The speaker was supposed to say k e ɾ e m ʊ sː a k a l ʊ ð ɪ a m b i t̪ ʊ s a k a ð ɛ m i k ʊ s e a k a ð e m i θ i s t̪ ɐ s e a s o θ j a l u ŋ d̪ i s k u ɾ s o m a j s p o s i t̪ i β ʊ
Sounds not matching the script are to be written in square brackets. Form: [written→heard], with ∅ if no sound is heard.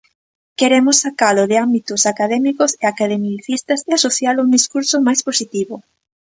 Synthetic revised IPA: k e ɾ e m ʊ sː a k a l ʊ ð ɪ a m b i t̪ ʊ s a k a ð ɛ m i k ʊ s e a k a ð e m i θ i s t̪ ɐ s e a s o θ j a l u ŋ d̪ i s k u ɾ s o m a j s p o s i t̪ i β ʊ